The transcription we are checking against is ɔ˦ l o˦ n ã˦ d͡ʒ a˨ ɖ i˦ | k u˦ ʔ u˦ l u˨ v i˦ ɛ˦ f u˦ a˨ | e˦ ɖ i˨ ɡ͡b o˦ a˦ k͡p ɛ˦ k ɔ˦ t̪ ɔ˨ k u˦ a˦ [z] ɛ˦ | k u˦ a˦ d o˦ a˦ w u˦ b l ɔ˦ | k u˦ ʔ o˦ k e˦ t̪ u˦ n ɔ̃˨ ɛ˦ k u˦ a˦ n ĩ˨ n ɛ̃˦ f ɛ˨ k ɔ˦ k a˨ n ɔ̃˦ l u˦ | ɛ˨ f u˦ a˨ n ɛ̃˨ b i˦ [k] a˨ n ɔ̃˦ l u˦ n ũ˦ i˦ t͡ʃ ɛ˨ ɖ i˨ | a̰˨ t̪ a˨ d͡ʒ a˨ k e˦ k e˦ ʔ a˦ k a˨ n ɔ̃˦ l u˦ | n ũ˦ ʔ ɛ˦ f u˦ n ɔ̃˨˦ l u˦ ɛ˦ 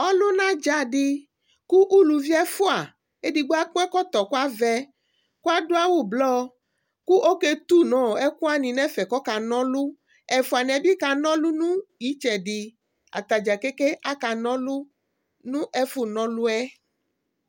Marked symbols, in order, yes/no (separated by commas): no, yes